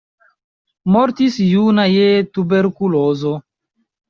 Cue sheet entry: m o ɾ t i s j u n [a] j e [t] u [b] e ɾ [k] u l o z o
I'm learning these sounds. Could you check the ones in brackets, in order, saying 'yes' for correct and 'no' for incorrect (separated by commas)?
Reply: yes, yes, yes, yes